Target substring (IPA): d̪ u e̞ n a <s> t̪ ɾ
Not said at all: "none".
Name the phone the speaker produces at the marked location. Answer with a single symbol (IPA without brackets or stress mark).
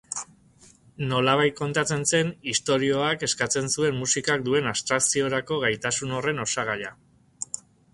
s